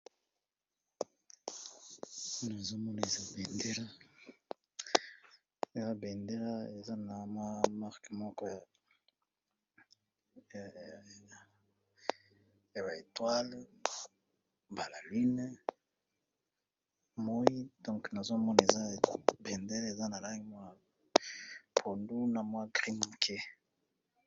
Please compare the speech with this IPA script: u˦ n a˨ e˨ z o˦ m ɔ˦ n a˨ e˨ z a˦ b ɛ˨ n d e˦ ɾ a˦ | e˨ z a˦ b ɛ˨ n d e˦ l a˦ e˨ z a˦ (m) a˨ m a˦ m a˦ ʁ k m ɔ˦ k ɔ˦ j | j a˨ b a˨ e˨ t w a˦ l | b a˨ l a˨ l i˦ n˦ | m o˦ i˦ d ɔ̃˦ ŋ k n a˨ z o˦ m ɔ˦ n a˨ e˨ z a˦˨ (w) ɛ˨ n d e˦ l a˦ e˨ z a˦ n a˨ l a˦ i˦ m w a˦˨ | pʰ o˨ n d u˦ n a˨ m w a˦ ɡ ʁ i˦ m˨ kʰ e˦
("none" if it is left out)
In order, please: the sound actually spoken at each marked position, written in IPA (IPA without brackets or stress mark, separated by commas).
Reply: n, b